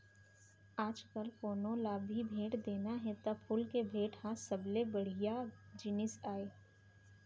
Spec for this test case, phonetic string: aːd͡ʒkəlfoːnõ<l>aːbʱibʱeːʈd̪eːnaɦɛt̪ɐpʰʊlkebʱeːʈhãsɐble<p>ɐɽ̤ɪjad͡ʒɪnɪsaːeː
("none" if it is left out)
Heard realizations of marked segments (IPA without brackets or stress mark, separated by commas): l, b